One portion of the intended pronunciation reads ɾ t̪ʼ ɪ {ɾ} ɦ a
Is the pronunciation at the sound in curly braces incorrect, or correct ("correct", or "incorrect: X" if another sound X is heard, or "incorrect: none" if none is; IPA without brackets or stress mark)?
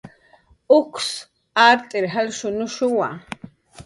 correct